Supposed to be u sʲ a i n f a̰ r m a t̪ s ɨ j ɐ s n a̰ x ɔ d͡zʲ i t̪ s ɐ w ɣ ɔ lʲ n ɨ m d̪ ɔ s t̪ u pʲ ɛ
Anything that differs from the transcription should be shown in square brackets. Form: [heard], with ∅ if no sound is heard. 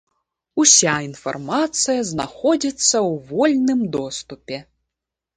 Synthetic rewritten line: u sʲ a i n f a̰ r m a t̪ s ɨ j ɐ [z] n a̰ x ɔ d͡zʲ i t̪ [sː] ɐ w [v] ɔ lʲ n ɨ m d̪ ɔ s t̪ u pʲ ɛ